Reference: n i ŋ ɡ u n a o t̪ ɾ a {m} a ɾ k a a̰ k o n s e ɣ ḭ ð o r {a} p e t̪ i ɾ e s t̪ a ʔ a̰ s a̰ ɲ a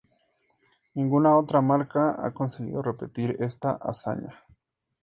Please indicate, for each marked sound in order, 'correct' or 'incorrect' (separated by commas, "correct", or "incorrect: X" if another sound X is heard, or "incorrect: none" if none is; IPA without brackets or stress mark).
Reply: correct, incorrect: e